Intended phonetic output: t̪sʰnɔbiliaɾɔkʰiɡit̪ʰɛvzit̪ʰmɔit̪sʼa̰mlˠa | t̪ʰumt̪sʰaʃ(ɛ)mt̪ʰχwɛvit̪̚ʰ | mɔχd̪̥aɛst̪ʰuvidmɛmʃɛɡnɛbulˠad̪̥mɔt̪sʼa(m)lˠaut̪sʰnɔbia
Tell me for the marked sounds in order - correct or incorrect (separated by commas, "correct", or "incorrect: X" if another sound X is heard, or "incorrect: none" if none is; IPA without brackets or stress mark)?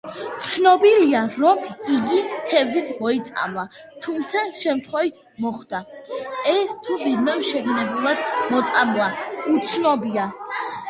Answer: correct, correct